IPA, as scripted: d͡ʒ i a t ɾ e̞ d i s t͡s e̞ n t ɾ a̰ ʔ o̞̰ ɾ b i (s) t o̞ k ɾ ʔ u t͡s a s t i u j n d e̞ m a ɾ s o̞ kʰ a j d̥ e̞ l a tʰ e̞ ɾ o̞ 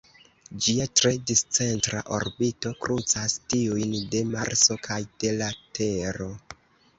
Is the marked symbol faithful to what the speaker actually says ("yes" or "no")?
no